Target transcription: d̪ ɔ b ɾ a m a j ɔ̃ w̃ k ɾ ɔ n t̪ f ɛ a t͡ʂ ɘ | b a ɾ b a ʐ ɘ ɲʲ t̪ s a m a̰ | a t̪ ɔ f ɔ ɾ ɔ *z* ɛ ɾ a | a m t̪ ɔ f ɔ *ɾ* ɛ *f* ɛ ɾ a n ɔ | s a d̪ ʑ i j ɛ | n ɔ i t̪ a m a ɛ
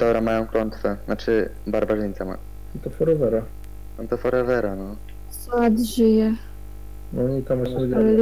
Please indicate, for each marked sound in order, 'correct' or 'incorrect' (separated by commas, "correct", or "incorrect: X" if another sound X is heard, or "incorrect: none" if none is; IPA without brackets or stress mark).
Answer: incorrect: v, correct, incorrect: v